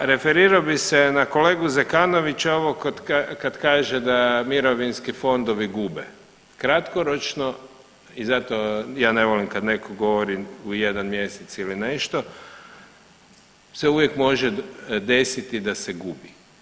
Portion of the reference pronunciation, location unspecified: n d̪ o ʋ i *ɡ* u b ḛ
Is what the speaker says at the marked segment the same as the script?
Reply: yes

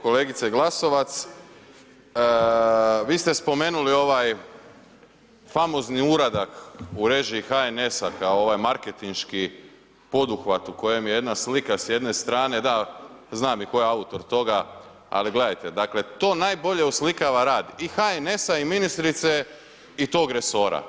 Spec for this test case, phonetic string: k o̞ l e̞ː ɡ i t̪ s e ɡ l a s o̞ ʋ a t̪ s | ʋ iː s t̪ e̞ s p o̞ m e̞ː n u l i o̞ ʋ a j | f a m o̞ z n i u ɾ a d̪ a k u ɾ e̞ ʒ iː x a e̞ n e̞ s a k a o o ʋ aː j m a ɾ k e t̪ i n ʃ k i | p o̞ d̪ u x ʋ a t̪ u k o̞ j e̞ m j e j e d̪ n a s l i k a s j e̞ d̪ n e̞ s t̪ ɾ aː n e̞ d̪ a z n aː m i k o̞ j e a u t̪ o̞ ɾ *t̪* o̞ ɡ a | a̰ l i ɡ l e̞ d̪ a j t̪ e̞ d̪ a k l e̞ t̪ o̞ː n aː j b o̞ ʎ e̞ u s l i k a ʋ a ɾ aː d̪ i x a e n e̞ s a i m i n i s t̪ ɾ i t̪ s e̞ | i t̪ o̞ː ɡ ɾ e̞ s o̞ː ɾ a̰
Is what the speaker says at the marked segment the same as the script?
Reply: yes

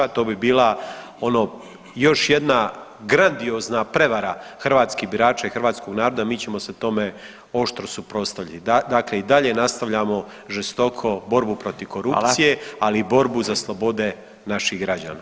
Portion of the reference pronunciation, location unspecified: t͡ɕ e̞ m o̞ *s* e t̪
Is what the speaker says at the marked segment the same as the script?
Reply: yes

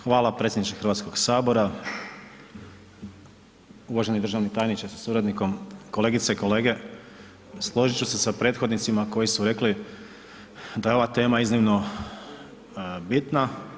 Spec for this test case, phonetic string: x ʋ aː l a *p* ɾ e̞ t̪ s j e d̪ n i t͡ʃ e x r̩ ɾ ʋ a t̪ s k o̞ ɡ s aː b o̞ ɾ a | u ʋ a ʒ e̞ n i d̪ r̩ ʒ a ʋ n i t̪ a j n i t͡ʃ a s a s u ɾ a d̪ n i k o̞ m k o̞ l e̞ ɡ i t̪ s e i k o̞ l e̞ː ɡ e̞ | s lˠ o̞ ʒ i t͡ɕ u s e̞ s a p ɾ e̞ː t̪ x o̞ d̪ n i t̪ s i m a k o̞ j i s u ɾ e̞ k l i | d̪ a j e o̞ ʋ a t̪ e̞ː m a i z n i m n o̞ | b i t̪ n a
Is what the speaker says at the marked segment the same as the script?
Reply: yes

